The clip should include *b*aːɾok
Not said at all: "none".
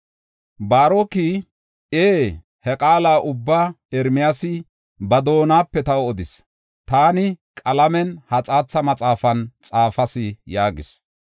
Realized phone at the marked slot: b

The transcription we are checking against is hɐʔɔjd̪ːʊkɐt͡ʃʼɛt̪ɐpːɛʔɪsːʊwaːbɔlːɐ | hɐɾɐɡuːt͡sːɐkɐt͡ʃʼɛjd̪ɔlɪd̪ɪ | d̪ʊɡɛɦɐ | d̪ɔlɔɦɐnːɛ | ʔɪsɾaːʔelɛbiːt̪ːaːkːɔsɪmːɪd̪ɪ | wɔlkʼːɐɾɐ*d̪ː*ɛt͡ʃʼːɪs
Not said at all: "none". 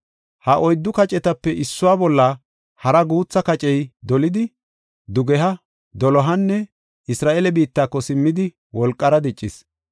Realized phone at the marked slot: d̪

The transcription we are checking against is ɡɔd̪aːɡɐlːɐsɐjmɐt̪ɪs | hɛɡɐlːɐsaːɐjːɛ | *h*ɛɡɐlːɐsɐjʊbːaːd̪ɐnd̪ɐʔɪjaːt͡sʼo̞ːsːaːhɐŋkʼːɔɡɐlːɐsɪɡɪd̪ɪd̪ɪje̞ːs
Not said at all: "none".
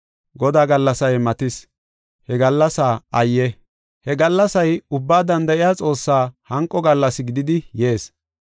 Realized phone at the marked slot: h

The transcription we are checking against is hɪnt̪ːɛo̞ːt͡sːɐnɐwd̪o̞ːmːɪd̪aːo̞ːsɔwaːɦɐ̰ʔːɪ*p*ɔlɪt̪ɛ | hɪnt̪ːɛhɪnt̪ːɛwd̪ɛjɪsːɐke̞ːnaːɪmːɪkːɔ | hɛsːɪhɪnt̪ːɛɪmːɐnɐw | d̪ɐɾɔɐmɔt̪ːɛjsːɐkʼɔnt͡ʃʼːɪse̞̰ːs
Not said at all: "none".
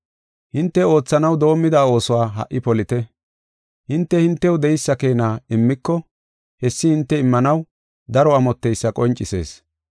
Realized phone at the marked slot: p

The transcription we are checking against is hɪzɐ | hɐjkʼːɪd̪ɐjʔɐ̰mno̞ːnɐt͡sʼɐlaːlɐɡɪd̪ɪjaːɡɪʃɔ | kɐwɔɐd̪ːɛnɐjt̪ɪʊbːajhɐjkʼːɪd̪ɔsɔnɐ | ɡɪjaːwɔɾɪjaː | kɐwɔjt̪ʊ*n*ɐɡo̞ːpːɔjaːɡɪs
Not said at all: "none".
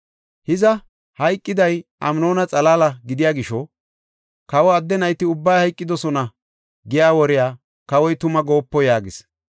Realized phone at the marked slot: m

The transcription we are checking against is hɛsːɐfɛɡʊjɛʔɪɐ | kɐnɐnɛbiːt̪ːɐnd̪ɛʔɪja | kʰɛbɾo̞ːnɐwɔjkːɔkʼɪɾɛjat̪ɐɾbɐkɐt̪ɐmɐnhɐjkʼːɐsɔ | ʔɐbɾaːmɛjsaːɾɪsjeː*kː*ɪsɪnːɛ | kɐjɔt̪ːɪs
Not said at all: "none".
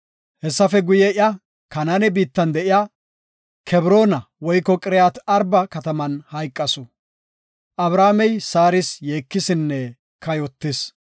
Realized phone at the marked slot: kː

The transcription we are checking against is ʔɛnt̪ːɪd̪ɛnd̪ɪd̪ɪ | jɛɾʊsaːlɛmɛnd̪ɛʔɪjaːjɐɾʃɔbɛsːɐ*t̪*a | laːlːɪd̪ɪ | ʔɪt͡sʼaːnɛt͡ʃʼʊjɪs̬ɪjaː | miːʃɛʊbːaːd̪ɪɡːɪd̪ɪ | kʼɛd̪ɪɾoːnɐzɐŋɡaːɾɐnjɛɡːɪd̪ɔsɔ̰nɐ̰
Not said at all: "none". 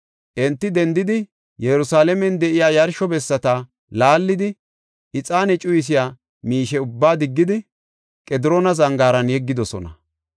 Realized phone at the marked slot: t̪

